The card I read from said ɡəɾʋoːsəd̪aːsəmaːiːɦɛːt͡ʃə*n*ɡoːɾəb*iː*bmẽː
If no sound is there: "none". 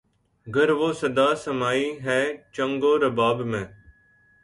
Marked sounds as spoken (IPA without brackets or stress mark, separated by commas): ŋ, aː